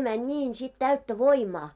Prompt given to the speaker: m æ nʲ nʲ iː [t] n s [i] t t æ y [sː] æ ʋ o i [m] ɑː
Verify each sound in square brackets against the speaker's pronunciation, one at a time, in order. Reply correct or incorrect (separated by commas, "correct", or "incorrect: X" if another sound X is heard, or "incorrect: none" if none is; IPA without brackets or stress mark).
incorrect: none, correct, incorrect: tː, correct